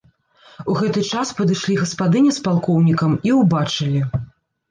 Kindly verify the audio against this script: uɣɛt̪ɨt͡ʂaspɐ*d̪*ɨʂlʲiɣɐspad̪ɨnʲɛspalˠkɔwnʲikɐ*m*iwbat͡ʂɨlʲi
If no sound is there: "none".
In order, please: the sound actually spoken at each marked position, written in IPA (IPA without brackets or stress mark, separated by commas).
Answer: d̪, m